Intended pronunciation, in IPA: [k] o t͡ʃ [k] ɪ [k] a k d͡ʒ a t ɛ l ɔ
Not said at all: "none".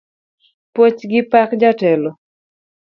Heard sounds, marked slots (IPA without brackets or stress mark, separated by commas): p, ɡ, p